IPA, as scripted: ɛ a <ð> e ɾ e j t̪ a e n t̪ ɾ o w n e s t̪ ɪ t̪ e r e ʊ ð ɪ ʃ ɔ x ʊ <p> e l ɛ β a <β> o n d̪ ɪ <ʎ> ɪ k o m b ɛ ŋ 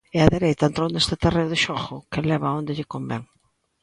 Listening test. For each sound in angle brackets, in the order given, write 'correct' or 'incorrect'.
correct, incorrect: k, incorrect: none, correct

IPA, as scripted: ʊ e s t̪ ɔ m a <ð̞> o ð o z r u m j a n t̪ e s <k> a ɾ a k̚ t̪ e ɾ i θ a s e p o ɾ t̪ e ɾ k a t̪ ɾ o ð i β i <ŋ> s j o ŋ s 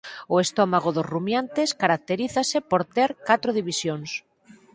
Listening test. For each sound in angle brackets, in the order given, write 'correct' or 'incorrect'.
incorrect: ɣ̞, correct, incorrect: none

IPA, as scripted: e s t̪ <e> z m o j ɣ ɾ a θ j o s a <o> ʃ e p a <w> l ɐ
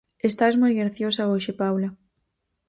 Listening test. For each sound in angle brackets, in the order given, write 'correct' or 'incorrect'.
incorrect: a, correct, correct

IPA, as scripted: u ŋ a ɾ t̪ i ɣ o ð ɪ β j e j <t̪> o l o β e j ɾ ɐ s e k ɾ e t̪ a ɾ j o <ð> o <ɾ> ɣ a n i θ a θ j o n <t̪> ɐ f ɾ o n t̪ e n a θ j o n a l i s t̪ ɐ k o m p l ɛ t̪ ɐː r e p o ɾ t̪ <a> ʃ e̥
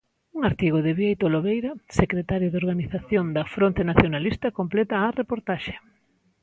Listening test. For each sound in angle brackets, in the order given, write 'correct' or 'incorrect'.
correct, correct, correct, incorrect: d̪, correct

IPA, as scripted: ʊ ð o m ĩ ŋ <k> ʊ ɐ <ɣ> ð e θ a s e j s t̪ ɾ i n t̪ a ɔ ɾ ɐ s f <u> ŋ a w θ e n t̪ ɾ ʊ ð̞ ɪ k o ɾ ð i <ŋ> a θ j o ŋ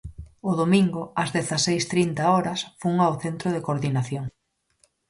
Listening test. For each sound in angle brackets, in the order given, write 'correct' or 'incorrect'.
incorrect: ɡ, incorrect: z, correct, incorrect: n

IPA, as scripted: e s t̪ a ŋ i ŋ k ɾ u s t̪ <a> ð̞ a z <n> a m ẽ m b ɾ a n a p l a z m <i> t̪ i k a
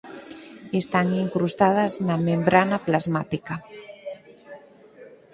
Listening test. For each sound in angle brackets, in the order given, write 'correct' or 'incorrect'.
correct, correct, incorrect: a

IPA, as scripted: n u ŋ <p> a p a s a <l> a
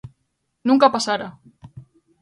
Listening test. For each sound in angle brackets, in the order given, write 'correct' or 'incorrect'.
incorrect: k, incorrect: ɾ

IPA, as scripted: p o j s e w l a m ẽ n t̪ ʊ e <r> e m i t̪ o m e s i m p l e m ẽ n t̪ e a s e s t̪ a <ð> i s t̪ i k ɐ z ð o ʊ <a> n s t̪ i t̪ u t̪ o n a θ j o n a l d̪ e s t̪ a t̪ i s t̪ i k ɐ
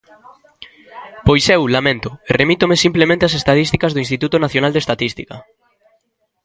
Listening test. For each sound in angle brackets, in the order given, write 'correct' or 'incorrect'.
correct, correct, incorrect: i

